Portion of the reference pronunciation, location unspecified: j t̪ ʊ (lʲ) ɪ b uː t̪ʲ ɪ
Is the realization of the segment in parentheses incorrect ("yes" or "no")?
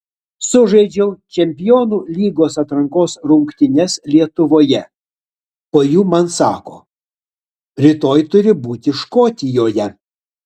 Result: yes